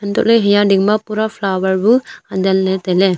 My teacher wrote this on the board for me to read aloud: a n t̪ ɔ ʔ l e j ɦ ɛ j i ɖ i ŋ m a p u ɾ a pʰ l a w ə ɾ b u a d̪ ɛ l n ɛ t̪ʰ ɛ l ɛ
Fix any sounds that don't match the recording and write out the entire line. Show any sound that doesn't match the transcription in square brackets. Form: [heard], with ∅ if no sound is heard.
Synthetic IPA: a n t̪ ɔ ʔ l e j ɦ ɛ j [a] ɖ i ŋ m a p u ɾ a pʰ l a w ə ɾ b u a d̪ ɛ l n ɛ [t̪] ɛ l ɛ